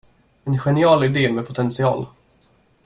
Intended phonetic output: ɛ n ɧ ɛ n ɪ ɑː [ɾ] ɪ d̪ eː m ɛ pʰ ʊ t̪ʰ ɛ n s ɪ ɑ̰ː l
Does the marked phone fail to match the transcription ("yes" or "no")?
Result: yes